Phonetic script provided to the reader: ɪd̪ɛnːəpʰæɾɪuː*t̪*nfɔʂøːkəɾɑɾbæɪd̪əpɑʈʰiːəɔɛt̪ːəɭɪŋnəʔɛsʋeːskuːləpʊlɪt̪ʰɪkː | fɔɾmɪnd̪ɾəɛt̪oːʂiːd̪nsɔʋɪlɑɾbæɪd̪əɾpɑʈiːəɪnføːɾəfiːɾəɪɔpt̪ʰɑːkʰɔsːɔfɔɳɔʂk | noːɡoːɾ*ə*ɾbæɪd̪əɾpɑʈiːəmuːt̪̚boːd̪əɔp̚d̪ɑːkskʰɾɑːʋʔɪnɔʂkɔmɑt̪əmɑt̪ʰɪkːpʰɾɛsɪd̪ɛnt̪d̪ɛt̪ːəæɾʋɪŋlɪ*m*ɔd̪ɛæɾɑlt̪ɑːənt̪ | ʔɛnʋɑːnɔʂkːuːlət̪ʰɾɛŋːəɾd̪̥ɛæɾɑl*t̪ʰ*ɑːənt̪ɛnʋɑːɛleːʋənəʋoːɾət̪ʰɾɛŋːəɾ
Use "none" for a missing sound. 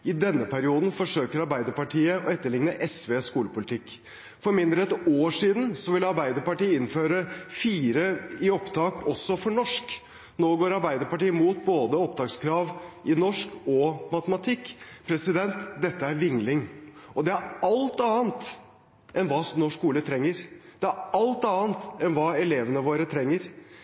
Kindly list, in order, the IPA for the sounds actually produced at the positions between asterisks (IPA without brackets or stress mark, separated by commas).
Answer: d̪, ɑ, ŋ, t̪